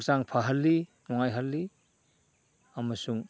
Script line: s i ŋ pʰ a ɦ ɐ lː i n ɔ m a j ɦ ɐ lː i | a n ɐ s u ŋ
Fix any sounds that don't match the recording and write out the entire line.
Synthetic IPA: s a ŋ pʰ a ɦ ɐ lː i n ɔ ŋ a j ɦ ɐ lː i | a m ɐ s u ŋ